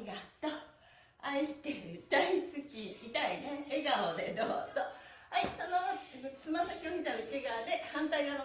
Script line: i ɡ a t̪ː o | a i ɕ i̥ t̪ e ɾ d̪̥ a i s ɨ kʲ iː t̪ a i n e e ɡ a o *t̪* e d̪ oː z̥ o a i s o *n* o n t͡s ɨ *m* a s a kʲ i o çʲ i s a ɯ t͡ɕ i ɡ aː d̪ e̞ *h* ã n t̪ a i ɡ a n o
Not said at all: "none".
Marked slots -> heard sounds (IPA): d̪, n, m, h

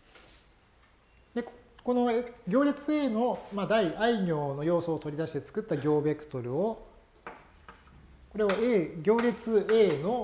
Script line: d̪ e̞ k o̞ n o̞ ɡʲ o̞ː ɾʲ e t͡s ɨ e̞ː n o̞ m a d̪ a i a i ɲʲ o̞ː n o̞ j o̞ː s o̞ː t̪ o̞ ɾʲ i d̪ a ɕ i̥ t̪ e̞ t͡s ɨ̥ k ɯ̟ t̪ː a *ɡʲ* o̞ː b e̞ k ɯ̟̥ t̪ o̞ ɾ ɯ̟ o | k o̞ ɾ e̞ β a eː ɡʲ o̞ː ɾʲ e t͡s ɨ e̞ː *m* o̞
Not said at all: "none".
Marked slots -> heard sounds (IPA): ɡʲ, n

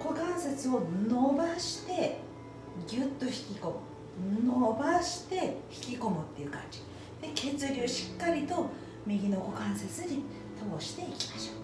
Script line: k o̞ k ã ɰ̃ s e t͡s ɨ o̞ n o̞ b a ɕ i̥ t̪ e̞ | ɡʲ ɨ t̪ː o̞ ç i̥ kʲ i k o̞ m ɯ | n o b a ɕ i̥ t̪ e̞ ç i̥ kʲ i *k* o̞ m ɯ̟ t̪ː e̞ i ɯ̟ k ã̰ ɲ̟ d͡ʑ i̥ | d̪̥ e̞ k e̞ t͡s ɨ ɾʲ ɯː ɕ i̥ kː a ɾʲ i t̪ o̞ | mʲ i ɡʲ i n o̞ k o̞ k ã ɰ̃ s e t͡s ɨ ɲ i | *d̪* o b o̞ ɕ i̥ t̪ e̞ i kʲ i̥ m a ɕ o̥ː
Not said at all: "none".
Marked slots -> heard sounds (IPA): k, t̪

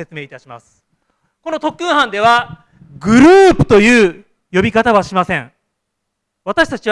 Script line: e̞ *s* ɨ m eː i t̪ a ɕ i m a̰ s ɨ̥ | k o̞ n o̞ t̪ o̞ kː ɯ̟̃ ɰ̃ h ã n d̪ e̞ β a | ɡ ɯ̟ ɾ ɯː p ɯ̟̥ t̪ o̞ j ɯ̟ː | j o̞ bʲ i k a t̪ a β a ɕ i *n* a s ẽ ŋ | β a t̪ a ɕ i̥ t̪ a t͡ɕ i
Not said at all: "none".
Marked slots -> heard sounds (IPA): t͡s, m

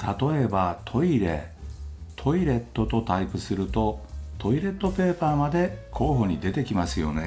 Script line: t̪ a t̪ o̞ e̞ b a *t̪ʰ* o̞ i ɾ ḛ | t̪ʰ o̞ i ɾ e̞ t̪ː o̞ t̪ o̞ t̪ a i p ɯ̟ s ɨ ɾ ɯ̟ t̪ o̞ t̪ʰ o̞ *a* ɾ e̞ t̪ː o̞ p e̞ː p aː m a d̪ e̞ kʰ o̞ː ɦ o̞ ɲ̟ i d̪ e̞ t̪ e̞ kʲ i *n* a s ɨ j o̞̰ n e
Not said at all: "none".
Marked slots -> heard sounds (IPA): t̪ʰ, i, m

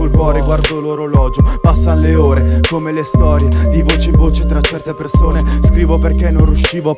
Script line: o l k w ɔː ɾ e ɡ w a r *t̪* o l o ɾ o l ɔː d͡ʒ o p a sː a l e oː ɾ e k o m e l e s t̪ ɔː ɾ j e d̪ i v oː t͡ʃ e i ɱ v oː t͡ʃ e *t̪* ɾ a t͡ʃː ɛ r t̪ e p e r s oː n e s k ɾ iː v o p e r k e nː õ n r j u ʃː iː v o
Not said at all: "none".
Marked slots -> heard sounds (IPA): d̪, t̪

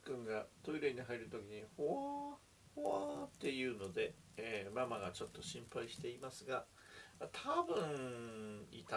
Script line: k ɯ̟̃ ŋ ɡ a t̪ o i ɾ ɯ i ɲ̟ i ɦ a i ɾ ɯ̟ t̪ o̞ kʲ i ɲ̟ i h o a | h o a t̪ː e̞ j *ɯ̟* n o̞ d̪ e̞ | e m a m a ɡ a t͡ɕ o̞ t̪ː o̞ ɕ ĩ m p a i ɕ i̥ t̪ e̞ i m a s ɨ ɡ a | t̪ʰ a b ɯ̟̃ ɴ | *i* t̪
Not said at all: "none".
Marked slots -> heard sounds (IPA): ɯ̟ː, i

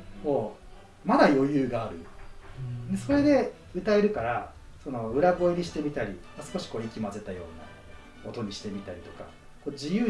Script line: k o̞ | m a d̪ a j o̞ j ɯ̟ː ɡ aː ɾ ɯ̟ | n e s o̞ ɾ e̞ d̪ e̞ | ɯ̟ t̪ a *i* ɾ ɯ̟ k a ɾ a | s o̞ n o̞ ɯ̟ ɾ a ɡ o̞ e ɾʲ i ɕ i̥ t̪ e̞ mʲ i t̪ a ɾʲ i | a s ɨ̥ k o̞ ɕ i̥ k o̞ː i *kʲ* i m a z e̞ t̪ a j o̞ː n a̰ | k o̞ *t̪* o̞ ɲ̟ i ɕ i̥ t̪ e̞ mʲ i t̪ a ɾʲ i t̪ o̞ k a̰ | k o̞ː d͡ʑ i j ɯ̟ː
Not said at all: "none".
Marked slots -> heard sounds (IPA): e, kʲ, t̪

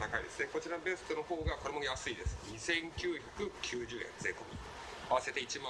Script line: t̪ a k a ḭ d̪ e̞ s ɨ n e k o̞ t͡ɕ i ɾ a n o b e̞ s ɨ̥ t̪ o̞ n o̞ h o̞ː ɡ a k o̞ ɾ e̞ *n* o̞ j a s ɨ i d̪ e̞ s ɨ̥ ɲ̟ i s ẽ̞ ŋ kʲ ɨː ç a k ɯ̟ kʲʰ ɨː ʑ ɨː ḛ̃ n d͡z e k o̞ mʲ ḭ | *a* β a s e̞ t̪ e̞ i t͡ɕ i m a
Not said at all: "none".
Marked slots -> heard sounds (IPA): m, a

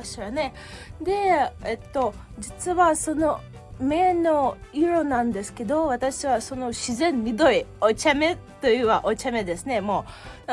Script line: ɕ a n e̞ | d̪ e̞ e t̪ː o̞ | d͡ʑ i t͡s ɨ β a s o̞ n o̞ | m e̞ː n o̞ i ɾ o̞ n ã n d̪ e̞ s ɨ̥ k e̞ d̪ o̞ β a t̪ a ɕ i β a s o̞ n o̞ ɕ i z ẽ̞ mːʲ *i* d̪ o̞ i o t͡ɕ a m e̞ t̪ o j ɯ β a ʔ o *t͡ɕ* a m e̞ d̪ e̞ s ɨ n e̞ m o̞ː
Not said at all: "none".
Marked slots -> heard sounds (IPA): i, t͡ɕ

